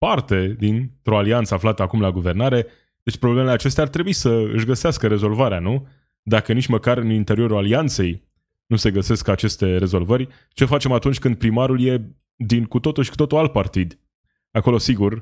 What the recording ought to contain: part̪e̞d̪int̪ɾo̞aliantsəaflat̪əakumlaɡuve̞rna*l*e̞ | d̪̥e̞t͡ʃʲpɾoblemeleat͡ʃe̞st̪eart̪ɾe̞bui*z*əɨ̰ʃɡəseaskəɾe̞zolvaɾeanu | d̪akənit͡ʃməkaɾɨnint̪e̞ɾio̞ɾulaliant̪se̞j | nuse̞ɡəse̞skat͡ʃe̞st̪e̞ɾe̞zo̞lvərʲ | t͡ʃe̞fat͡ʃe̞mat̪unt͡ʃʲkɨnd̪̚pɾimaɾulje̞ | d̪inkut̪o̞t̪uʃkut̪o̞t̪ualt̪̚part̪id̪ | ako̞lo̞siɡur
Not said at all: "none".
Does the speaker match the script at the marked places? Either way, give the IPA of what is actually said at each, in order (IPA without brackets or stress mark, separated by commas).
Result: ɾ, s